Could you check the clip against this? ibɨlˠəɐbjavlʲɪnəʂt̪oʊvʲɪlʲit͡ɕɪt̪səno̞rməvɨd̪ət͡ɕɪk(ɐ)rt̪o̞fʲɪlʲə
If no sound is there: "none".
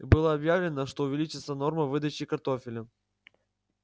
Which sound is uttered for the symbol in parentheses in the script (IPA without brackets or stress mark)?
ɐ